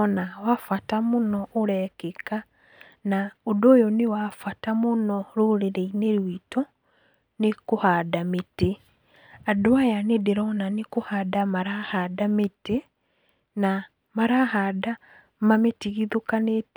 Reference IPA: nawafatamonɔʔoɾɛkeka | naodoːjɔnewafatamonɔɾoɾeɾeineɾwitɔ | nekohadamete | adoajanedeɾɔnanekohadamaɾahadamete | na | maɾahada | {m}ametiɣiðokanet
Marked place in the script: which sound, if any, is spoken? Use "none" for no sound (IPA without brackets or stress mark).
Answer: m